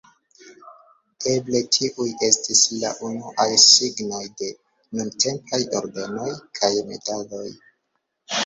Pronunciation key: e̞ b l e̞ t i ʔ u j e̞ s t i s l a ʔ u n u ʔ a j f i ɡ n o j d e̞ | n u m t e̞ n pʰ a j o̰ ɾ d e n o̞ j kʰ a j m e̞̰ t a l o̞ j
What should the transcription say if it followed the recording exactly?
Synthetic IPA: e̞ b l e̞ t i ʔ u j e̞ s t i s l a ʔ u n u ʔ a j s i ɡ n o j d e̞ | n u n t e̞ m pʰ a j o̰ ɾ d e n o̞ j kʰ a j m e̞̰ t a l o̞ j